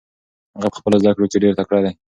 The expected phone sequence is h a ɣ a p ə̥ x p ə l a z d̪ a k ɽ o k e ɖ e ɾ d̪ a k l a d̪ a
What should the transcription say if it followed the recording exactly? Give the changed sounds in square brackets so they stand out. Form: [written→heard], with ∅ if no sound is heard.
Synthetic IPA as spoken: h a ɣ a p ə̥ x p ə l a z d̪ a k ɽ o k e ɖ e ɾ [d̪→t̪] a k [l→ɽ] a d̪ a